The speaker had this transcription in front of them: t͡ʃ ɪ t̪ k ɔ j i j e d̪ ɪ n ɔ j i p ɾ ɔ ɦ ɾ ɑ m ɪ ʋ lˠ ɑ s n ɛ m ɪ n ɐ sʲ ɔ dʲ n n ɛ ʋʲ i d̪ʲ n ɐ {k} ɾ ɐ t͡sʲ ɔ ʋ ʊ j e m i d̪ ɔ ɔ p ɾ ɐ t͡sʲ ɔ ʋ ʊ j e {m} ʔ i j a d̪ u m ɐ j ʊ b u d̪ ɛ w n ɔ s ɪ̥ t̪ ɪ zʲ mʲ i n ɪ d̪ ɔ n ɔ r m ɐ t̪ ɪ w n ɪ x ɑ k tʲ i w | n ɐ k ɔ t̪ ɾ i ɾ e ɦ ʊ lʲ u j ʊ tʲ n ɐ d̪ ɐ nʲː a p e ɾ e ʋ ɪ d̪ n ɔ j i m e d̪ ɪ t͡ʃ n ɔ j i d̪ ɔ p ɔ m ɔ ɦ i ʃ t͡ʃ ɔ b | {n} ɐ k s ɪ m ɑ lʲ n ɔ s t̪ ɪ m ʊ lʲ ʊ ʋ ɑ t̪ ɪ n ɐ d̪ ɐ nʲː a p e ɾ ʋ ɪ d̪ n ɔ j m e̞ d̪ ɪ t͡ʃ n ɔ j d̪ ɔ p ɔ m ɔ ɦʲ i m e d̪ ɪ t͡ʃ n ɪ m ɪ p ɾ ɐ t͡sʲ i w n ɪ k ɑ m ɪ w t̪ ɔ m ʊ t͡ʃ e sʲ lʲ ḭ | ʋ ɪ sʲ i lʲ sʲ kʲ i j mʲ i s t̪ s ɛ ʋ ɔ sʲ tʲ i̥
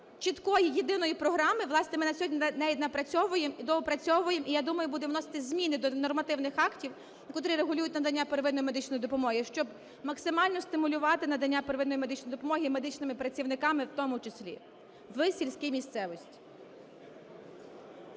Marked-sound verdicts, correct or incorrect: incorrect, correct, incorrect

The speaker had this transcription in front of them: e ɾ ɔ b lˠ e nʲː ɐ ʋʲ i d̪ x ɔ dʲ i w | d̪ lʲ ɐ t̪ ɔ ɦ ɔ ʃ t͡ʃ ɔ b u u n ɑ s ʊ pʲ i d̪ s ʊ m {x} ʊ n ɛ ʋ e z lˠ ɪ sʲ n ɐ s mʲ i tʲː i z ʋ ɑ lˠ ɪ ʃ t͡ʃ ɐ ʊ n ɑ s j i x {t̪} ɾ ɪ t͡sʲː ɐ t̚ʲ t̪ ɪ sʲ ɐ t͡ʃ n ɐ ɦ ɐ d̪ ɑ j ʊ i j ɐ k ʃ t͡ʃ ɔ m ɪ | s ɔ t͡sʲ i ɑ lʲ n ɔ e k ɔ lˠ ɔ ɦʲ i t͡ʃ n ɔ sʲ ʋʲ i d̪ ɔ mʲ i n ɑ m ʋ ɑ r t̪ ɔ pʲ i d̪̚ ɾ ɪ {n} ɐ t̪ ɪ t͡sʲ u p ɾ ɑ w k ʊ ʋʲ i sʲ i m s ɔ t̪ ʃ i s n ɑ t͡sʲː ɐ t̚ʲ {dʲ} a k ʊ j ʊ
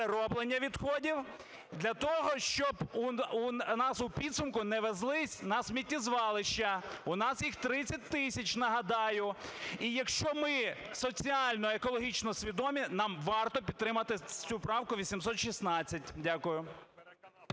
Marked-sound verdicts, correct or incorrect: incorrect, correct, incorrect, correct

